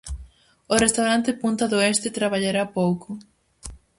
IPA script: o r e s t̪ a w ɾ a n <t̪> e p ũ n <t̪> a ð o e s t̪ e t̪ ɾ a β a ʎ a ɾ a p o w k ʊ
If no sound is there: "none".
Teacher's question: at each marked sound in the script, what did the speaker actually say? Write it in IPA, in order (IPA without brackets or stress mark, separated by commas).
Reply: t̪, t̪